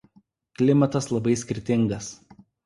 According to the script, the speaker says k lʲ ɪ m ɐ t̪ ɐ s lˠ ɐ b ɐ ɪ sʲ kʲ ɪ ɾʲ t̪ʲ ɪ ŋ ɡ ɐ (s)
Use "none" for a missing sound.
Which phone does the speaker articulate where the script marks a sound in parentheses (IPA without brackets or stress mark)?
s